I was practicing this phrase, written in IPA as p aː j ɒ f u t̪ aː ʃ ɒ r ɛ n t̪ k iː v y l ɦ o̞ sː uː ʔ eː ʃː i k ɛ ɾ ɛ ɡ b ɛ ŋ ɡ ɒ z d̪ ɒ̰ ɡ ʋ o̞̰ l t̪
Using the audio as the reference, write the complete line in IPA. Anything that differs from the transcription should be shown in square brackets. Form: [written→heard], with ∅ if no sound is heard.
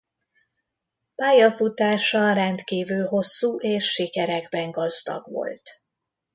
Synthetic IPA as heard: p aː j ɒ f u t̪ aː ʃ ɒ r ɛ n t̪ k iː v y l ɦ o̞ sː uː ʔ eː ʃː i k ɛ ɾ ɛ ɡ b ɛ ŋ ɡ ɒ z d̪ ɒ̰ ɡ ʋ o̞̰ l t̪